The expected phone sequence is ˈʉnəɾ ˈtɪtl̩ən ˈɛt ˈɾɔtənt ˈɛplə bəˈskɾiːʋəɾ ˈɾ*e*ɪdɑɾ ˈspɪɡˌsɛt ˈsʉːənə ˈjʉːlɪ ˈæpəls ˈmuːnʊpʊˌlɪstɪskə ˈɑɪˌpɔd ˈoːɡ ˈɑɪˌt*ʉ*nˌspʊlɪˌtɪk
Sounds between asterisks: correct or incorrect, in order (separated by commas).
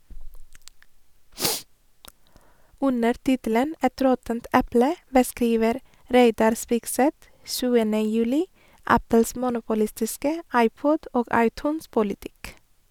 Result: correct, incorrect